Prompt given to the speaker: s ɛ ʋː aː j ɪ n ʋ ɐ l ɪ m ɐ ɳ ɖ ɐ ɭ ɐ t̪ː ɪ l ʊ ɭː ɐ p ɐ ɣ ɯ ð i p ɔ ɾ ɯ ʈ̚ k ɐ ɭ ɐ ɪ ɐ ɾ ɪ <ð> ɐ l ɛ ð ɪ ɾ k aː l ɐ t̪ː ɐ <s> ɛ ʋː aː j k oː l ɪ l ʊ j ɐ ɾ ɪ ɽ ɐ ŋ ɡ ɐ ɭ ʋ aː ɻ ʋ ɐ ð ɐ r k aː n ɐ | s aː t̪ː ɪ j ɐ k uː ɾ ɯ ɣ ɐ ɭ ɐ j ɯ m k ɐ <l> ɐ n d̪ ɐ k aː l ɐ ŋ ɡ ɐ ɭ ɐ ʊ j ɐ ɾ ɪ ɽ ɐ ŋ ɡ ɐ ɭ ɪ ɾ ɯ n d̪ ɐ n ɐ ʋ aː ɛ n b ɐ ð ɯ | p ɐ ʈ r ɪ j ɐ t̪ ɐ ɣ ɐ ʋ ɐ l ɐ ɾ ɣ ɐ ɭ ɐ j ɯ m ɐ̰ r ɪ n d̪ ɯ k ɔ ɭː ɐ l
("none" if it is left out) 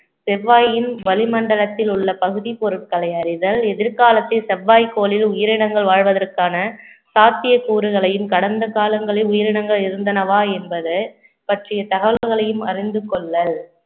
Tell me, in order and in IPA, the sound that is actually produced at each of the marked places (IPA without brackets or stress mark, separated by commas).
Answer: ð, s, ɽ